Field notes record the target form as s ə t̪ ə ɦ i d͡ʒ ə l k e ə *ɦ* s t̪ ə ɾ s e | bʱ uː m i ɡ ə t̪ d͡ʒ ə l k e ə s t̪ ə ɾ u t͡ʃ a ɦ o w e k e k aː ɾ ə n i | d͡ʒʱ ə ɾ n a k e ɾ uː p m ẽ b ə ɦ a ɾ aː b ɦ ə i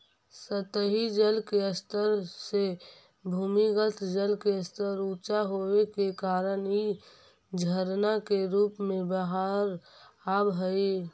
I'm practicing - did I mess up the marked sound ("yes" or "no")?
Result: yes